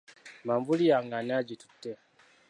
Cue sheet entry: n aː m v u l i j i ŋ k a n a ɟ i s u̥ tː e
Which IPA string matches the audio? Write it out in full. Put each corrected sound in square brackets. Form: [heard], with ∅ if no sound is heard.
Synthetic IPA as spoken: [m] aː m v u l i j [a] ŋ [ɡ] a n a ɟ i [t] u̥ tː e

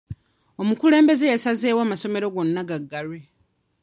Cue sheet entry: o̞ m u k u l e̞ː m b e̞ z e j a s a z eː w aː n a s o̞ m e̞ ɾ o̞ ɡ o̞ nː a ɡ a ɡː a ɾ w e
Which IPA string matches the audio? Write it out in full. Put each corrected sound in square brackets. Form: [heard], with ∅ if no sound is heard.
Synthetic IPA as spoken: o̞ m u k u l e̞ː m b e̞ z e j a s a z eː w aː [m] a s o̞ m e̞ ɾ o̞ ɡ o̞ nː a ɡ a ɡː a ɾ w e

